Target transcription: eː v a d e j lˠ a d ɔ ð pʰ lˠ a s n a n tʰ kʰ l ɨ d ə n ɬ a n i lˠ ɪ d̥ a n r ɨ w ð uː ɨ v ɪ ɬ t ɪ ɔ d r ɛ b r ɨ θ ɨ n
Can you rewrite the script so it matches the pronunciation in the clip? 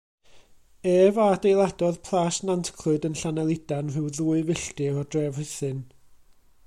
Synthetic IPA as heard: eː v a d e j lˠ a d ɔ ð pʰ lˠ a s n a n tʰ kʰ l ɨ d ə n ɬ a n ɛ lˠ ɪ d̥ a n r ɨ w ð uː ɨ v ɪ ɬ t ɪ ɔ d r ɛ v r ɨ θ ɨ n